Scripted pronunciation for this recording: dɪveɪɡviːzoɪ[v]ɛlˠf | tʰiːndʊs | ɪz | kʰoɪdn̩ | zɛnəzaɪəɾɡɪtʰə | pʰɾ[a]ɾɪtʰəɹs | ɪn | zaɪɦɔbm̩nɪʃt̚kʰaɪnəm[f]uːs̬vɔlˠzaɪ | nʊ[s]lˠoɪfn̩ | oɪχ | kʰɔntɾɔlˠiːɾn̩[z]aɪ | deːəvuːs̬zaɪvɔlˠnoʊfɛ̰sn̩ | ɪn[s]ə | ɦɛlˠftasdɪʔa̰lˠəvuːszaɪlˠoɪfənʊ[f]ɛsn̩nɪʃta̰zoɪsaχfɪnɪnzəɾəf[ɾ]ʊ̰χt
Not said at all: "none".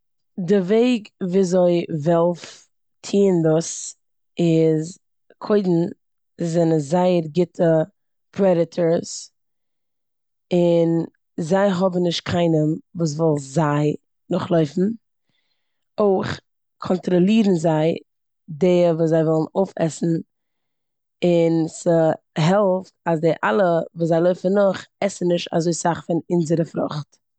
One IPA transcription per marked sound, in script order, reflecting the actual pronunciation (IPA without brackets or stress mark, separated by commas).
v, ɛ, v, χ, z, s, χ, ɾ